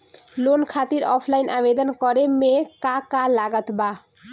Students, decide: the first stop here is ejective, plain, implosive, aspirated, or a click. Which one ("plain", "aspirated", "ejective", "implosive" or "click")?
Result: aspirated